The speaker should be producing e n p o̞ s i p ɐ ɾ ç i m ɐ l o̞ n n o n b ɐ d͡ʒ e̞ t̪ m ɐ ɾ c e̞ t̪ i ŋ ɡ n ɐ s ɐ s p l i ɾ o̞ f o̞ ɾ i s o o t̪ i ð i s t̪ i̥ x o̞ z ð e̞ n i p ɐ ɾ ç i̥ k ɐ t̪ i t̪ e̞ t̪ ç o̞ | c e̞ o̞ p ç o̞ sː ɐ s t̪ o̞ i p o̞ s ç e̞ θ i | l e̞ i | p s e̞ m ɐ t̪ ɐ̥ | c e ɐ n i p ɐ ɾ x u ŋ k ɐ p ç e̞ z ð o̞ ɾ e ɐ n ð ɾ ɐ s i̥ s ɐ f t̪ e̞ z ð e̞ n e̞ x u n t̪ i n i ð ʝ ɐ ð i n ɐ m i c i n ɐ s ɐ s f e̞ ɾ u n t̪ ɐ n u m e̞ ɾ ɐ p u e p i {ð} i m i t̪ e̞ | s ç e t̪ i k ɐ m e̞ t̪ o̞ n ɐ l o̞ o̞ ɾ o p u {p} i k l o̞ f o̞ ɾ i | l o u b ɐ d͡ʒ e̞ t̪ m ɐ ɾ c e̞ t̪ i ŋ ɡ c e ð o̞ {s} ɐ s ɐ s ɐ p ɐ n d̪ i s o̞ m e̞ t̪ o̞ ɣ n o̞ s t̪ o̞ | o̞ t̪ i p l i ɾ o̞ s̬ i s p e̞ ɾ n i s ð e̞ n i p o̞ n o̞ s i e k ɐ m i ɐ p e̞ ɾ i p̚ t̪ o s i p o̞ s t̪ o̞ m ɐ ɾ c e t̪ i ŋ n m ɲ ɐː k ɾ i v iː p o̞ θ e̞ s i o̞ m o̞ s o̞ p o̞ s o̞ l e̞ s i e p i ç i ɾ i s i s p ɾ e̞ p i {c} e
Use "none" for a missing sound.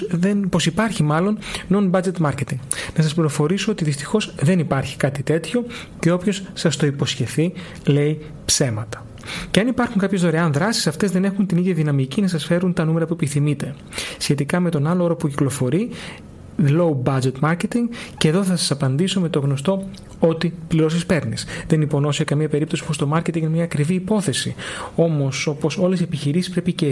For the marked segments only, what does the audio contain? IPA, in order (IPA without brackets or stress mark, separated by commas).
θ, c, θ, c